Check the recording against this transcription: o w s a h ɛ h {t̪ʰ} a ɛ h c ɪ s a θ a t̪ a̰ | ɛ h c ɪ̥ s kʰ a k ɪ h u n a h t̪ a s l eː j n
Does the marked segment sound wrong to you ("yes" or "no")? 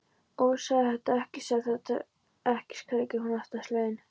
yes